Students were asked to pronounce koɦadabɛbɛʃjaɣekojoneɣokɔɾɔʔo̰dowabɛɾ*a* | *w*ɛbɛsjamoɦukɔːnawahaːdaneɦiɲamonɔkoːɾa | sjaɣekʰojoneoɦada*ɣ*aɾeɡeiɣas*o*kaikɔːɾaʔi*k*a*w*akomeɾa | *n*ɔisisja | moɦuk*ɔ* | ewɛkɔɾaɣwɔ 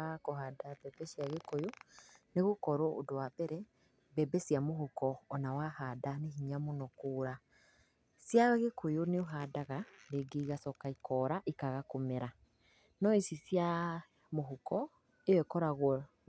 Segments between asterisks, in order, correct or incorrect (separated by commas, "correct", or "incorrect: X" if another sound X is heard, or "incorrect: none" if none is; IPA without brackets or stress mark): incorrect: ɛ, incorrect: b, correct, incorrect: ɔ, correct, incorrect: ɣ, correct, correct